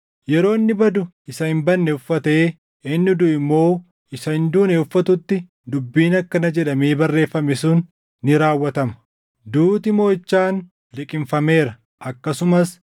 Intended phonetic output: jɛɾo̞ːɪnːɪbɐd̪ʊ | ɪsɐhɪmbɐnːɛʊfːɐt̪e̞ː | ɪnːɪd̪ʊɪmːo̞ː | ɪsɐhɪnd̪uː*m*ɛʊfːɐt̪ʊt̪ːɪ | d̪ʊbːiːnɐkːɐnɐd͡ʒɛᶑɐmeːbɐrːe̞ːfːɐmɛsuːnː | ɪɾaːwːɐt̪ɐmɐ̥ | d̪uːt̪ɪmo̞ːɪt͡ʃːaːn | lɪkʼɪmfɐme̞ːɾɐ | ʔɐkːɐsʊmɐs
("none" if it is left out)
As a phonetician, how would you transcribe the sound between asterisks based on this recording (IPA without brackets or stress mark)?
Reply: n